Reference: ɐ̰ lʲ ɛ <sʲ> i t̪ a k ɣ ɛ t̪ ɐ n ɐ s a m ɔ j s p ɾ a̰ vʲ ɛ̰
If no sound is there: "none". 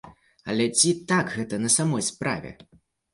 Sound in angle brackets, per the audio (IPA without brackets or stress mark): t͡sʲ